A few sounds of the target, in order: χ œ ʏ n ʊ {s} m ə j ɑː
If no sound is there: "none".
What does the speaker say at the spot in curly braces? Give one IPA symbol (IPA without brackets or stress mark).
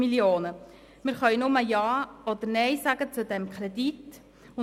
none